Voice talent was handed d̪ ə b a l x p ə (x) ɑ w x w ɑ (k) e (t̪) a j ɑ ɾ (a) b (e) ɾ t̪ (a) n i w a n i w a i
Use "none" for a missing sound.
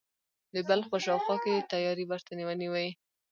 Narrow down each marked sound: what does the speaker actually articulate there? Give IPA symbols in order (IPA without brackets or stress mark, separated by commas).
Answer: ʃ, k, t̪, i, a, a